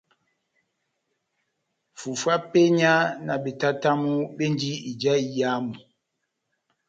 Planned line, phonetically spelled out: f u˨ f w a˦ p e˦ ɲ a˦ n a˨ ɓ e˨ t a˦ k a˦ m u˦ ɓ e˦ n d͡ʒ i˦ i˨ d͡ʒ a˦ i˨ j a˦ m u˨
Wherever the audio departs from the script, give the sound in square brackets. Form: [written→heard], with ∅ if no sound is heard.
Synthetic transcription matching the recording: f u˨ f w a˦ p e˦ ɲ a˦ n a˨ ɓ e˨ t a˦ [k→t] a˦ m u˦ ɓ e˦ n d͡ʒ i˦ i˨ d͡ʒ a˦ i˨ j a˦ m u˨